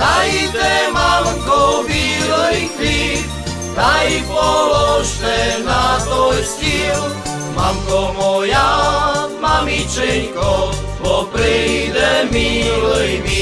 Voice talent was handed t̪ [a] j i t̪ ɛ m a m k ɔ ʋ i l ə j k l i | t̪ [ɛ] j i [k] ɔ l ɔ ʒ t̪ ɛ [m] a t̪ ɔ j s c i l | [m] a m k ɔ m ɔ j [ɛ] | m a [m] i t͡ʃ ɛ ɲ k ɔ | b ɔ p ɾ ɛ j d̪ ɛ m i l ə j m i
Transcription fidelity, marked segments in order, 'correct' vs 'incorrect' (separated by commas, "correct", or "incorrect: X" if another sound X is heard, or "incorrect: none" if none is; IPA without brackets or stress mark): correct, incorrect: a, incorrect: p, incorrect: n, correct, incorrect: a, correct